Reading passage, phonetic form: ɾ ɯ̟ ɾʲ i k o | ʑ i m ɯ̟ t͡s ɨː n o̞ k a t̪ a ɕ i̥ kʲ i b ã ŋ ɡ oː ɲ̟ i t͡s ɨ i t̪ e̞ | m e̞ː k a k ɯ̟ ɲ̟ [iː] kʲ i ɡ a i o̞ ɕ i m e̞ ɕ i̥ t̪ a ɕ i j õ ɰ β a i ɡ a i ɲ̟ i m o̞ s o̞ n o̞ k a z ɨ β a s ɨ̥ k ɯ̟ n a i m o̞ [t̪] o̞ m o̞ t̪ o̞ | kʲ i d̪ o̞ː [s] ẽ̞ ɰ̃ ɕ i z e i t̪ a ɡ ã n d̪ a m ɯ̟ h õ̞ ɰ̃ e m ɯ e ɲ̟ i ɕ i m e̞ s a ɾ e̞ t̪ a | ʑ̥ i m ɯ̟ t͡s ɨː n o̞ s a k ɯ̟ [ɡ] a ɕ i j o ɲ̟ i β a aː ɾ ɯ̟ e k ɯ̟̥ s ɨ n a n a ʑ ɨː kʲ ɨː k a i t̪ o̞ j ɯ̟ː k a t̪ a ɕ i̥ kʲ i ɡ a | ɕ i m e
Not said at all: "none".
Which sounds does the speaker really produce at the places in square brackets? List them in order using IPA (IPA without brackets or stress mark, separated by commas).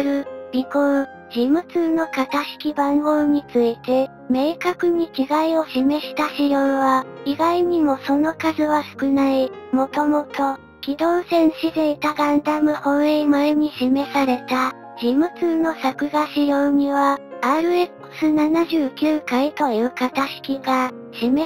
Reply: i, t̪, s, ɡ